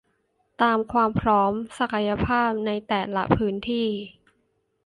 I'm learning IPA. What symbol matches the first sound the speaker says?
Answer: t̪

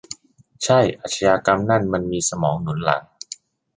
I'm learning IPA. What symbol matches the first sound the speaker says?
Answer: t͡ɕʰ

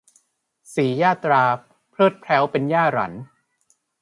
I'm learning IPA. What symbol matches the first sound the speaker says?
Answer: s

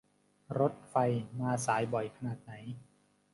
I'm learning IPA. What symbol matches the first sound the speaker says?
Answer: ɾ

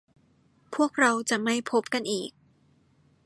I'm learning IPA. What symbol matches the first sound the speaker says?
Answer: pʰ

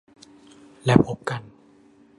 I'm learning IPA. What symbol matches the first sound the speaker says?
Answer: l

